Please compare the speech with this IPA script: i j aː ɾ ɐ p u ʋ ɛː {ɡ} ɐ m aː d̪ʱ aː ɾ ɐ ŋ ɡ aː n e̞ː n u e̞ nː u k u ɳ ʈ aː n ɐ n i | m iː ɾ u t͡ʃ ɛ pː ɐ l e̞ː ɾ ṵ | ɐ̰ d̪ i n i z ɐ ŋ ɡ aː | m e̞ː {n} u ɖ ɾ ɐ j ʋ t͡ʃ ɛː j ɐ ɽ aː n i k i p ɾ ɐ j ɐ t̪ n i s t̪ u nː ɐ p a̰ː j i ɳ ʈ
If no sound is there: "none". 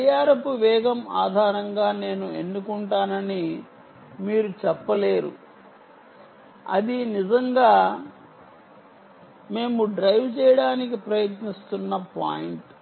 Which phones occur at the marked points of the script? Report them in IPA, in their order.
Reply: ɡ, m

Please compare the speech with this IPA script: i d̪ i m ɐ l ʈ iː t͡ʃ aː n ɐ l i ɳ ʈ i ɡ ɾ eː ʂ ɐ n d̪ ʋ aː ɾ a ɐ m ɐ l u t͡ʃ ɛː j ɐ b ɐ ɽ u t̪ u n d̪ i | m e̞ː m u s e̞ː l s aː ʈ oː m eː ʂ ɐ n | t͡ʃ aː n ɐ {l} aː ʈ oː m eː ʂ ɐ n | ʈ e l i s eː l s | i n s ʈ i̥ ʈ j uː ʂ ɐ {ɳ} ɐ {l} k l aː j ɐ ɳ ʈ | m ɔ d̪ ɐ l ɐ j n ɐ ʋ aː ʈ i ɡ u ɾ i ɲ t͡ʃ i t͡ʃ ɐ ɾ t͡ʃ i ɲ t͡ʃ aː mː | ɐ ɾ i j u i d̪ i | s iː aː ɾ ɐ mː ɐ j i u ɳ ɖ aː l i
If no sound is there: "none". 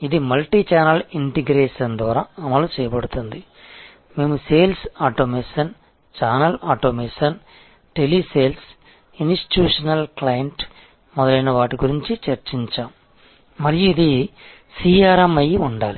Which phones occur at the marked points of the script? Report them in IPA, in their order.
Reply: l, n, l

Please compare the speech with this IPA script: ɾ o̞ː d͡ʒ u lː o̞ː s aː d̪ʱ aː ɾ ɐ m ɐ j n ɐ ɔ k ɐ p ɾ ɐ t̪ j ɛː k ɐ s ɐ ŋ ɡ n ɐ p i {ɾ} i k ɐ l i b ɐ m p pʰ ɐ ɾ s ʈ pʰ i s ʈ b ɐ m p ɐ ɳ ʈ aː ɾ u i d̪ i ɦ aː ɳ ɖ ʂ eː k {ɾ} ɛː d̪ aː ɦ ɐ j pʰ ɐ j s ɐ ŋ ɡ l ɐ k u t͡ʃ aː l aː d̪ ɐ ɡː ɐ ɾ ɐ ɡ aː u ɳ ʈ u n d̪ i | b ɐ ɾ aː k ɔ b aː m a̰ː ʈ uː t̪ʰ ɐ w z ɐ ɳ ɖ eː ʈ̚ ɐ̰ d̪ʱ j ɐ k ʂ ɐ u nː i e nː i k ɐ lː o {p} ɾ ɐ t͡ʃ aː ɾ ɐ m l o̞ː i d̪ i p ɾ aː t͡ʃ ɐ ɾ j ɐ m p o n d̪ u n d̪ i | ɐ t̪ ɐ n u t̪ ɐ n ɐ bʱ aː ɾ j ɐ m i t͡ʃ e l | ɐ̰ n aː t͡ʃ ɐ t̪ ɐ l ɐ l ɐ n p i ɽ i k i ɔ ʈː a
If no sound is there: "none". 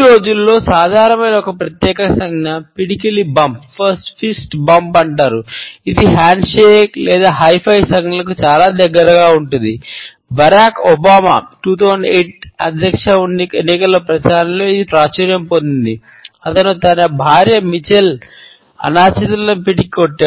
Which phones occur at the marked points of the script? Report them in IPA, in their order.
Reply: ɽ, l, p

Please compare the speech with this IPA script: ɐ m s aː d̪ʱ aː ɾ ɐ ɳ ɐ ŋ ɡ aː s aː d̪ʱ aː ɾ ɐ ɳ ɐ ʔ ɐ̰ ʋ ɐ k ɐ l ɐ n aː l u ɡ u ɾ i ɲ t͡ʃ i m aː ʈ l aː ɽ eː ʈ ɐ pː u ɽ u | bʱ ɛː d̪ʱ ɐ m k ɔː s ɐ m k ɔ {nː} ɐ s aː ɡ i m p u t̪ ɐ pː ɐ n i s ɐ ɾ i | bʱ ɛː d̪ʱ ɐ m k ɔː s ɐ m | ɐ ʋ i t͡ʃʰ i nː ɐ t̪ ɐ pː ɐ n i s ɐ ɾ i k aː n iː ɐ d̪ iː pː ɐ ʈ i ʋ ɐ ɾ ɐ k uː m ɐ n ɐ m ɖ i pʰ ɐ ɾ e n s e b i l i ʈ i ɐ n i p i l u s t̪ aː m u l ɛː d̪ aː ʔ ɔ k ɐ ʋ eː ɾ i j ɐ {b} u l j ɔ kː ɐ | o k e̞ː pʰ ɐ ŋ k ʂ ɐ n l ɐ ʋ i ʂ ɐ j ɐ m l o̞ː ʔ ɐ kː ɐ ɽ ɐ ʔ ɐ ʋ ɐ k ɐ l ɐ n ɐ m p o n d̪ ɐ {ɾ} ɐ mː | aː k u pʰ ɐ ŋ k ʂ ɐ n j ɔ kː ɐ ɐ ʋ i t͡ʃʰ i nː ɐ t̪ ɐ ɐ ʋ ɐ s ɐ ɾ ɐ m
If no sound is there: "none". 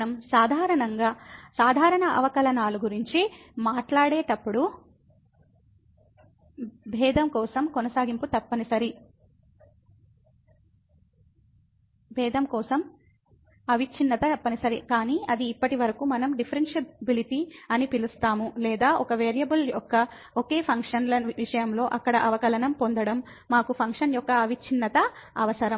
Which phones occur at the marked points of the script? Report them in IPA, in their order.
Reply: n, b, ɽ

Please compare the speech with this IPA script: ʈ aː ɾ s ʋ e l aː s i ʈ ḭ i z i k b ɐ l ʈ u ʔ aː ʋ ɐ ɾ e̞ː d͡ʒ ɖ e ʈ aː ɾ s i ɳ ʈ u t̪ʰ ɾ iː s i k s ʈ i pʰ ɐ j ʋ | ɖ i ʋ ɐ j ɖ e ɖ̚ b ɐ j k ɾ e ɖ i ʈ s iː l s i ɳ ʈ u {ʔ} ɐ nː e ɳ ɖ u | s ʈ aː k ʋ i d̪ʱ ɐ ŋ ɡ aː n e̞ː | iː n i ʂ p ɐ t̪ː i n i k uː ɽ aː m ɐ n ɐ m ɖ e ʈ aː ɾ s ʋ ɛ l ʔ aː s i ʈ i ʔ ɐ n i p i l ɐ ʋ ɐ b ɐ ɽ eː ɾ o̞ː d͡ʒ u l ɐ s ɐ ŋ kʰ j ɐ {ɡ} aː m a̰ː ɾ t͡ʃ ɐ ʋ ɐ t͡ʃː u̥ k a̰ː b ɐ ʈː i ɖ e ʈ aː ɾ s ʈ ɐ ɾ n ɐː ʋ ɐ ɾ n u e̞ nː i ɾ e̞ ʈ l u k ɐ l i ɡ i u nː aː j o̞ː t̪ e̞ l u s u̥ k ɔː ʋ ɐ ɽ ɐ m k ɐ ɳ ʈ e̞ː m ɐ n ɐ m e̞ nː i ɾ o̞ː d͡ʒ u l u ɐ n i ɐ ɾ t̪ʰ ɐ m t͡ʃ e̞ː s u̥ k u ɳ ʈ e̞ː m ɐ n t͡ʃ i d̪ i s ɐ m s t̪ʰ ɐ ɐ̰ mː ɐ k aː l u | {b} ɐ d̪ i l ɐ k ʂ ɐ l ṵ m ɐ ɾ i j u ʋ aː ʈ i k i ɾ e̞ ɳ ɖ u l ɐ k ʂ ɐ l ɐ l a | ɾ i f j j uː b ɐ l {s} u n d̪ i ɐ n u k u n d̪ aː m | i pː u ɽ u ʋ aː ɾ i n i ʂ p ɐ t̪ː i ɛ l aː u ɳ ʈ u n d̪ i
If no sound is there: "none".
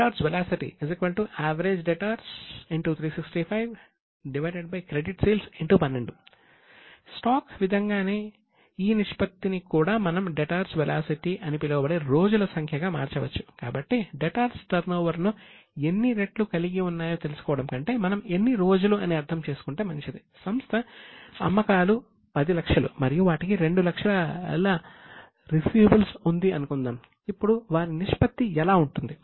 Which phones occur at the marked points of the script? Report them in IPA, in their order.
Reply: p, ɡ, p, s

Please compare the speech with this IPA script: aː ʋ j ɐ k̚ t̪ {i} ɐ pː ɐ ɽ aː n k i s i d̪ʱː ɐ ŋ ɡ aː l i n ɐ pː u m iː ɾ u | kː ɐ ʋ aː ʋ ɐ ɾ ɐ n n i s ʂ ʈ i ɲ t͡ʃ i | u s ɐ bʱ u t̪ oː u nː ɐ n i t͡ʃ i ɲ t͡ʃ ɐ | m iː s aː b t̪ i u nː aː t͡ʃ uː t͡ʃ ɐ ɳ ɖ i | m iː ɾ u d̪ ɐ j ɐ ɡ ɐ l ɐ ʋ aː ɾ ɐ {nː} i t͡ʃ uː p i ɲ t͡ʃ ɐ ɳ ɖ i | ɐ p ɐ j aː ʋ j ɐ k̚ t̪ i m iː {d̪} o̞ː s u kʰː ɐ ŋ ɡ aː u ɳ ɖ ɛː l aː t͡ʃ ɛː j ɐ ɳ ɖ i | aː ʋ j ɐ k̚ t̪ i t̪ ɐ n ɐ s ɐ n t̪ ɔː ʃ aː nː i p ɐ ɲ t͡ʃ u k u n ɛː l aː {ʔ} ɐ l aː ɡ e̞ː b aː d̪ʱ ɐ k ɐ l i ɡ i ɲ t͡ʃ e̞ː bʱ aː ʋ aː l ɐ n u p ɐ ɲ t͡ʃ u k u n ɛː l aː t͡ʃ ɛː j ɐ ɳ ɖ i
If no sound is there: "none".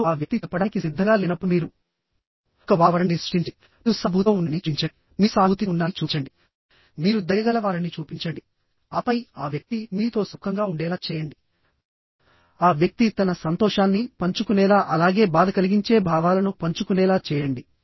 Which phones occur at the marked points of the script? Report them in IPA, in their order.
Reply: i, n, t̪, ʔ

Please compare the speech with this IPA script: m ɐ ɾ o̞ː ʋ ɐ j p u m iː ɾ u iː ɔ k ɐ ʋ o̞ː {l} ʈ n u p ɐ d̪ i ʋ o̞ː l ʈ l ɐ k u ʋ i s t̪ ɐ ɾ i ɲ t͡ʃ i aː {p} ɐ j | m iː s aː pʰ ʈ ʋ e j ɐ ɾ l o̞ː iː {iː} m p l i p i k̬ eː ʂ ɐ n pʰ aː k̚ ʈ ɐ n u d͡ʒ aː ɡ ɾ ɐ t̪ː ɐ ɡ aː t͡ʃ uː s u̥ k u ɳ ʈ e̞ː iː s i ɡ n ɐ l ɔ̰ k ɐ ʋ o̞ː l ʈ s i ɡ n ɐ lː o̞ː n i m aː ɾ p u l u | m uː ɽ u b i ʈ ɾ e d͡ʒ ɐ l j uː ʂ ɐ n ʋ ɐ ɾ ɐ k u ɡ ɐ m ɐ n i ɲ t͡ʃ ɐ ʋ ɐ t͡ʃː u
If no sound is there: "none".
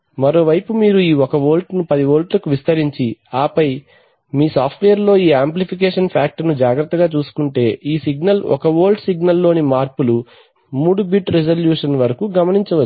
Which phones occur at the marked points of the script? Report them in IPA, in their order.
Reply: l, p, aː

